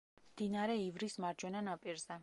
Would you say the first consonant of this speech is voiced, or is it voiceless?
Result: voiced